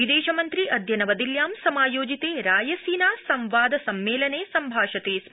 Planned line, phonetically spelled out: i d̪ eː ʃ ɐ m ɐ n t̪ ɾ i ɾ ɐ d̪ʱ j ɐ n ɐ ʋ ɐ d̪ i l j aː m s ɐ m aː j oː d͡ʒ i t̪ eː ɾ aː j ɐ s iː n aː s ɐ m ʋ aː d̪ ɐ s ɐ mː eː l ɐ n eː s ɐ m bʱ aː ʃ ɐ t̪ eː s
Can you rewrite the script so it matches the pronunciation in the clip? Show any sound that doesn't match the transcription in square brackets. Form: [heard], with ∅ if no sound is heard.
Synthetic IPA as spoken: i d̪ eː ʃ ɐ m ɐ n t̪ ɾ i [∅] ɐ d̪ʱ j ɐ n ɐ ʋ ɐ d̪ i l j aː m s ɐ m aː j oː d͡ʒ i t̪ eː ɾ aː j ɐ s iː n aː s ɐ m ʋ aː d̪ ɐ s ɐ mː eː l ɐ n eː s ɐ m bʱ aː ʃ ɐ t̪ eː s